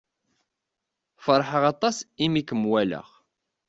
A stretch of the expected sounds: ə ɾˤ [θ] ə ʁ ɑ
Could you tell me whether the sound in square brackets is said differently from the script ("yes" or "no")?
yes